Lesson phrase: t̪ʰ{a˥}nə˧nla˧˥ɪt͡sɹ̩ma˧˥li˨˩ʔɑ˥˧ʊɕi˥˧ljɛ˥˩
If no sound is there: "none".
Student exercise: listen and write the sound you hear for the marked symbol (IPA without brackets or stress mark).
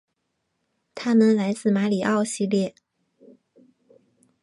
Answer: a˥